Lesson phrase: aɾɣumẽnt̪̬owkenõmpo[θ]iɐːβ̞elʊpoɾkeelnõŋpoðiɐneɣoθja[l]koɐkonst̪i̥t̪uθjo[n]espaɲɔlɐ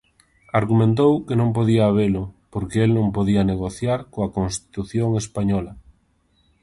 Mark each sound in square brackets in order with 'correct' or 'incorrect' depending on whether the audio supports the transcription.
incorrect: ð, incorrect: ɾ, incorrect: ŋ

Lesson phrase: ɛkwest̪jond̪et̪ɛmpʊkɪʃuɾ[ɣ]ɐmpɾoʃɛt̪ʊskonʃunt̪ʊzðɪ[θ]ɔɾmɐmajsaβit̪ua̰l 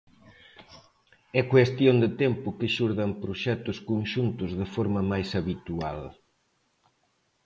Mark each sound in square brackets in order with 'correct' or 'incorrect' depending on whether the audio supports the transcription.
incorrect: ð, incorrect: f

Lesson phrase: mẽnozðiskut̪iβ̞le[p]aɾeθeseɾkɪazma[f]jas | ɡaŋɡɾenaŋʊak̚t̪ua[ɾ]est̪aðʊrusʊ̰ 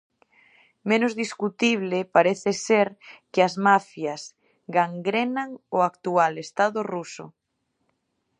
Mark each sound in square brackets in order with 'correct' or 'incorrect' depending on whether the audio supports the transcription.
correct, correct, incorrect: l

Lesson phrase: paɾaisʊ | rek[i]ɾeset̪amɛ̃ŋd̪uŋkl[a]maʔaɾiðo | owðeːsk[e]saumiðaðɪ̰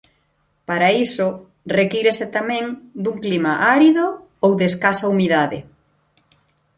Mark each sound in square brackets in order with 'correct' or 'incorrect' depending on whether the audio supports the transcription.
correct, incorrect: i, incorrect: a

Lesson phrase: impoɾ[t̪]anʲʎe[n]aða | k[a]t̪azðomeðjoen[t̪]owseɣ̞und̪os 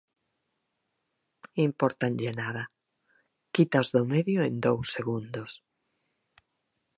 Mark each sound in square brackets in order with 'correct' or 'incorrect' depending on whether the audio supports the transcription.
correct, correct, incorrect: i, incorrect: d̪

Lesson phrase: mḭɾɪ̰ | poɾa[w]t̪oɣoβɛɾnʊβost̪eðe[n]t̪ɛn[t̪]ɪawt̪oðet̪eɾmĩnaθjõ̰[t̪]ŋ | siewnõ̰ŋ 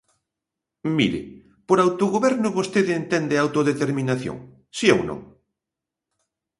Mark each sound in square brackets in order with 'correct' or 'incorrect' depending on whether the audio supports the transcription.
correct, correct, incorrect: d̪, incorrect: none

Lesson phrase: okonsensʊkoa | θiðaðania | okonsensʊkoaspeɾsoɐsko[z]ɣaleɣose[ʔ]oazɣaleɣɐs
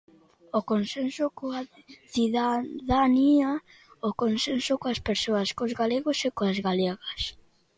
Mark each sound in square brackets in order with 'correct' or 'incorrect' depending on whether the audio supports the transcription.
correct, incorrect: k

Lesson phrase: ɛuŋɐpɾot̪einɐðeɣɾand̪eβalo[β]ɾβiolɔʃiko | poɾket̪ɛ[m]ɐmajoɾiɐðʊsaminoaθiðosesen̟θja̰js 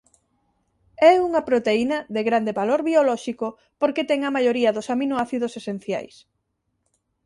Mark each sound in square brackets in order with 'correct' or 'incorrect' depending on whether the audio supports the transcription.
incorrect: none, incorrect: ŋ

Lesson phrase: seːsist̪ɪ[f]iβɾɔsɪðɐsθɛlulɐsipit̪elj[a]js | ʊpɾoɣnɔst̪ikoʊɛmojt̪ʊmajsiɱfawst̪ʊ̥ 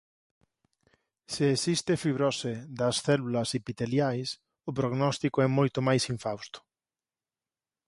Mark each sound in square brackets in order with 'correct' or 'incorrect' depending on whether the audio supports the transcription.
correct, correct

